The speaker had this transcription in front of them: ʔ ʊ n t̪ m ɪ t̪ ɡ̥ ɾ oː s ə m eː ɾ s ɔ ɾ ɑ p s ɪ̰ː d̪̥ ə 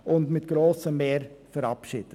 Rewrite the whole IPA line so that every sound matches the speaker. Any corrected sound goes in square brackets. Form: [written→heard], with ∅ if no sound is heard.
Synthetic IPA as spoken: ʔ ʊ n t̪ m ɪ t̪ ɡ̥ ɾ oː s ə m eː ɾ [s→f] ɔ ɾ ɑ p [s→ʃ] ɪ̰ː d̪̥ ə